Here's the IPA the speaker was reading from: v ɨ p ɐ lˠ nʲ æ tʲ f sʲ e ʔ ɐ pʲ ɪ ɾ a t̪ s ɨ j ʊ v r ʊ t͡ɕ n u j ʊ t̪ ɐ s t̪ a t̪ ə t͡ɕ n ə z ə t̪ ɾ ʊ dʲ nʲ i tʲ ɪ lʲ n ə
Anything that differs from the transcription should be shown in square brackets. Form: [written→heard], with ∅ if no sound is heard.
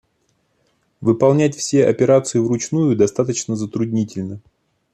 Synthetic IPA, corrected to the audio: v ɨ p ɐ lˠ nʲ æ tʲ f sʲ e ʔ ɐ pʲ ɪ ɾ a t̪ s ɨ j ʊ v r ʊ t͡ɕ n u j ʊ [t̪→d̪] ɐ s t̪ a t̪ ə t͡ɕ n ə z ə t̪ ɾ ʊ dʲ nʲ i tʲ ɪ lʲ n ə